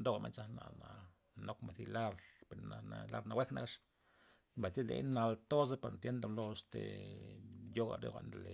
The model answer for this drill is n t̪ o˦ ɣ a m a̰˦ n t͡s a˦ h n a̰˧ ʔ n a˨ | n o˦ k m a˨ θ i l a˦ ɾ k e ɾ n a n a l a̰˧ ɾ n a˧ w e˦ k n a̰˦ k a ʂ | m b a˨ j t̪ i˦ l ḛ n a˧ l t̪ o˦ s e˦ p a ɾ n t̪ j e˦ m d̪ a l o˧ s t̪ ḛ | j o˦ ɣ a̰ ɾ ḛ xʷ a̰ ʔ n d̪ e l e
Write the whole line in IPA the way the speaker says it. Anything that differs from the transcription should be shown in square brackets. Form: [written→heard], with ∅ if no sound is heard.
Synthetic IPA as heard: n [t̪→d̪] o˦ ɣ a m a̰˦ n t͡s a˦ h n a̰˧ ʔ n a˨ | n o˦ k m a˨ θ i l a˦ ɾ [k→p] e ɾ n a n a l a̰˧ ɾ n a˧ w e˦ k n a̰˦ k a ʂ | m b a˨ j t̪ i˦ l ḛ n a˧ l t̪ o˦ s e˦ p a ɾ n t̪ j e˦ [m→n] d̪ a l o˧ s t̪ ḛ | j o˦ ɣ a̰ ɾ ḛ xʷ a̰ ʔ n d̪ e l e